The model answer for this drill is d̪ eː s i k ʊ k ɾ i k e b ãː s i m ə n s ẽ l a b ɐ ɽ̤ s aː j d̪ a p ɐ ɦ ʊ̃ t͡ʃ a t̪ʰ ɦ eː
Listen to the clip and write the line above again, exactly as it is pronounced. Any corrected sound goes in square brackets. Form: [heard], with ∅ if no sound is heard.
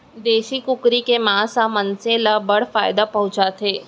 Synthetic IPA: d̪ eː [ʃ] i k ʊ k ɾ i k e [m] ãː s [a] m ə n s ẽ l a b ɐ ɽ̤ [f] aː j d̪ a p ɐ ɦ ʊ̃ t͡ʃ a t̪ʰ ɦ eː